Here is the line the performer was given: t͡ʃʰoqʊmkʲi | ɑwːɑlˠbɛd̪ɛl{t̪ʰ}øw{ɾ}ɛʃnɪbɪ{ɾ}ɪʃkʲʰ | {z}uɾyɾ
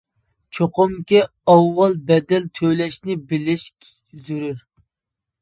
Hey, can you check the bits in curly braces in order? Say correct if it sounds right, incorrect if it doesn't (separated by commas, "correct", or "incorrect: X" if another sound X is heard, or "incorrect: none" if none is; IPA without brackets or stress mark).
correct, incorrect: l, incorrect: l, correct